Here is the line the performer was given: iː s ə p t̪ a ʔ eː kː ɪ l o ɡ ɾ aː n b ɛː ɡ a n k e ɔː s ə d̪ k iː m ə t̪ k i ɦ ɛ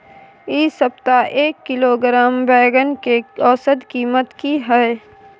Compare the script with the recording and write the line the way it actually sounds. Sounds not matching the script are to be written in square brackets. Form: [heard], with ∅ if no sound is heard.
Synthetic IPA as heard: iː s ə p t̪ a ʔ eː kː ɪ l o ɡ ɾ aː [m] b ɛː ɡ [ə] n k e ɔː s ə d̪ k iː m ə t̪ k i ɦ ɛ